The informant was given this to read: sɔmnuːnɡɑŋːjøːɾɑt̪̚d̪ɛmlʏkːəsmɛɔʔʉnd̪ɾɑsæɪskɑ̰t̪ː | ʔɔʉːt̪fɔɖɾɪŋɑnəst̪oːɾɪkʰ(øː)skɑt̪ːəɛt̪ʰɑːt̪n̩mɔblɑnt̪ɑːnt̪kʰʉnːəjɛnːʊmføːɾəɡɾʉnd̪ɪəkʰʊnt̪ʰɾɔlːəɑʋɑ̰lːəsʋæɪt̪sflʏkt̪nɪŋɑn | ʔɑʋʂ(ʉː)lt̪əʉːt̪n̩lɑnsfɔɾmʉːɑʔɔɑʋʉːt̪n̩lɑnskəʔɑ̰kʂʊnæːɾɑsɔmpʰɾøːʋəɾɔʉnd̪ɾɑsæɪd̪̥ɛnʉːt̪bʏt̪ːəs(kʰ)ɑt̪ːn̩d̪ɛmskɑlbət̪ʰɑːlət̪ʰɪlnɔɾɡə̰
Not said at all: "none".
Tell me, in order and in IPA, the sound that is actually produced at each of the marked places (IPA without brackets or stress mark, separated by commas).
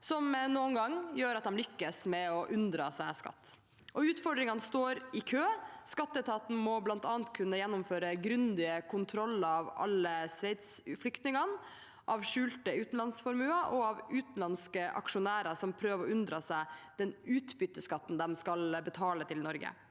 øː, ʉː, k